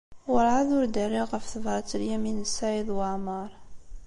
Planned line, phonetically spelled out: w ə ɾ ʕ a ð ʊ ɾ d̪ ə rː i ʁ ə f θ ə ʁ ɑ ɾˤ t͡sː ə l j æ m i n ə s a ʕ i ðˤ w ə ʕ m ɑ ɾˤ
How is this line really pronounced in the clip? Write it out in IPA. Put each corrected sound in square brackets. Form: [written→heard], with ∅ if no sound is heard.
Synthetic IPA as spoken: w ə ɾ ʕ a ð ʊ ɾ d̪ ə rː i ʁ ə f θ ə [ʁ→v] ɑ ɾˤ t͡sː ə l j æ m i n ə s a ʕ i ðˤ w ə ʕ m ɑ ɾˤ